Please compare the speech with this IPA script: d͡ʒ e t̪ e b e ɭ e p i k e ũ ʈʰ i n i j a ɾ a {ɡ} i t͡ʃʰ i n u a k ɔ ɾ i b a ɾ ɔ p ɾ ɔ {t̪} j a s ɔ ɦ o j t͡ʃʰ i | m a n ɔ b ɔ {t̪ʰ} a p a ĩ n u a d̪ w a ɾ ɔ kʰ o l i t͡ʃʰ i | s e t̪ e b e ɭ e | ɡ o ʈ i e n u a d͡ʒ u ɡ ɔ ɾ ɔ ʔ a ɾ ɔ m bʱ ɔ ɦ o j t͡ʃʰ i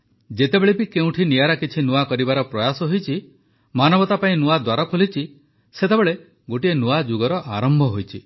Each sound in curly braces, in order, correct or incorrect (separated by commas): incorrect, incorrect, incorrect